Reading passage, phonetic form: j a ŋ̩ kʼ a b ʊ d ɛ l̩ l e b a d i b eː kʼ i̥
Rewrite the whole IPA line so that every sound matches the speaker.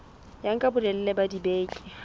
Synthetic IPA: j a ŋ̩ kʼ a b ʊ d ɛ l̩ l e b a d i b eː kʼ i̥